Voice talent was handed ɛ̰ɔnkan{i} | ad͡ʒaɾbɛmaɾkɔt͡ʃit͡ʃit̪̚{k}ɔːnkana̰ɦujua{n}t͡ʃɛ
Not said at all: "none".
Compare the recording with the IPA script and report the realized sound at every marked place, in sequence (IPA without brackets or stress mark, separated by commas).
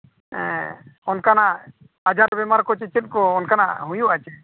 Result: a, k, none